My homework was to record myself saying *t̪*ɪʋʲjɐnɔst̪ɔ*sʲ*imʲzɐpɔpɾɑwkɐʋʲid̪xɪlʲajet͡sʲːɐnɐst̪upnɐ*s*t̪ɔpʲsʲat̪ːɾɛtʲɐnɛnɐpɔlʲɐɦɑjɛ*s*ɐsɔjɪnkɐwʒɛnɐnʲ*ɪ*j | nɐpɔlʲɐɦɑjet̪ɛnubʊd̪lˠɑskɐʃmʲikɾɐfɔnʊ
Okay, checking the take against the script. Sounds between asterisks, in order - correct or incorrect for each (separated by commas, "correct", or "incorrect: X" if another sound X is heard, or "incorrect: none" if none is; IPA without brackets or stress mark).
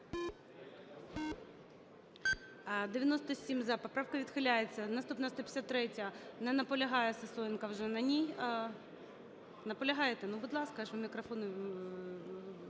incorrect: d̪, correct, correct, correct, incorrect: i